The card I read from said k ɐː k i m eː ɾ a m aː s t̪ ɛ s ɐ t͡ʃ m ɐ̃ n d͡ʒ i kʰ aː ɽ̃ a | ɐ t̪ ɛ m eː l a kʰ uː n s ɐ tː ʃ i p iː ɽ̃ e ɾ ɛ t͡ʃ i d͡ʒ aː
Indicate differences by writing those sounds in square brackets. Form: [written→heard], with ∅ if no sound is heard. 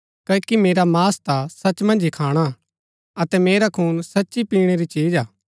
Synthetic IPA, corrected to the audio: k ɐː k i m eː ɾ a m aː s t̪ [ɛ→a] s ɐ t͡ʃ m ɐ̃ n d͡ʒ i kʰ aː ɽ̃ a | ɐ t̪ ɛ m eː [l→ɾ] a kʰ uː n s ɐ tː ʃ i p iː ɽ̃ e ɾ [ɛ→i] t͡ʃ [i→iː] d͡ʒ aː